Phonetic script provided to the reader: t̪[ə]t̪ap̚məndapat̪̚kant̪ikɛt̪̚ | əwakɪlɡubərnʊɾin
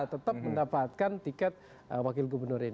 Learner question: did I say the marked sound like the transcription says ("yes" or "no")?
yes